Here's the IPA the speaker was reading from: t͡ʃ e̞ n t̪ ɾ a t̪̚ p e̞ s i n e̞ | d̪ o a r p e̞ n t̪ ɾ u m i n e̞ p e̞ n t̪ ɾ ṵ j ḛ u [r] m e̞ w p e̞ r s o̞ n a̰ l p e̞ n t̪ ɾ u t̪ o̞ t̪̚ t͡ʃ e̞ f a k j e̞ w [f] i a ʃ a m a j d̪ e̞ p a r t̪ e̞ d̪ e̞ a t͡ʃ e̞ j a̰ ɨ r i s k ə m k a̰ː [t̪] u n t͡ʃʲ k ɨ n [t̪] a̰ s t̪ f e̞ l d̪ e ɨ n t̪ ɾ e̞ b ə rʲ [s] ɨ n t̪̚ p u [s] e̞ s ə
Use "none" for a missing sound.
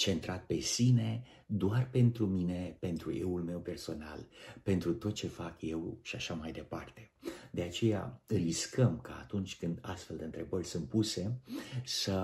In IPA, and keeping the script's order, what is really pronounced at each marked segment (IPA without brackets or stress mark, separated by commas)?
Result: l, ʃ, t̪, d̪, s, s